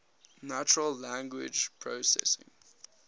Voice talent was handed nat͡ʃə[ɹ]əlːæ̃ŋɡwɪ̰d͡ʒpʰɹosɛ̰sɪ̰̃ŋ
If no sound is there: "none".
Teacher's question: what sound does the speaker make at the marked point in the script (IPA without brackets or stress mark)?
ɹ